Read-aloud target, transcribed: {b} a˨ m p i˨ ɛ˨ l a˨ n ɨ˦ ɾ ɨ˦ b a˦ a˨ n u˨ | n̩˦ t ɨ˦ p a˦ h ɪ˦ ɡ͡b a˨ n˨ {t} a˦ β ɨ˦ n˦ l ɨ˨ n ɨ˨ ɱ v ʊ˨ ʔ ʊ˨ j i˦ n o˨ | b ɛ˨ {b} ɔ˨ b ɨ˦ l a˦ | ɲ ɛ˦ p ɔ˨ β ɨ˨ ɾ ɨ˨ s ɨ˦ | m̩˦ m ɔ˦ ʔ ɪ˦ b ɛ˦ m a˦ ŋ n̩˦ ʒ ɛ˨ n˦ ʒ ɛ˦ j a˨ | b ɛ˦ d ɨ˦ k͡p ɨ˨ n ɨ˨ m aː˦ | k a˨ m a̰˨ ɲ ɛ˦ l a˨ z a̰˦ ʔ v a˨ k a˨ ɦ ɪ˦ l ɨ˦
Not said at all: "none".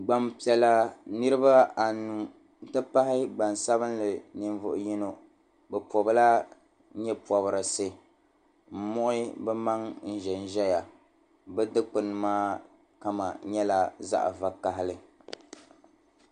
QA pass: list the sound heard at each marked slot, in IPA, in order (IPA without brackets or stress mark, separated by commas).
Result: ɡ͡b, s, p